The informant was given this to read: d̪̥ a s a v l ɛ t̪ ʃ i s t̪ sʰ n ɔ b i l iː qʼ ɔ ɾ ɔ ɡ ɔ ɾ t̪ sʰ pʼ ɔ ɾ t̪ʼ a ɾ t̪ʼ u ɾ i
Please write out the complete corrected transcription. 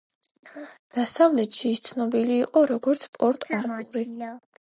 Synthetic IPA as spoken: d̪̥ a s a v l ɛ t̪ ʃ i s t̪ sʰ n ɔ b i l iː qʼ ɔ ɾ ɔ ɡ ɔ ɾ t̪ sʰ pʼ ɔ ɾ t̪ʼ a ɾ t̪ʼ u ɾ i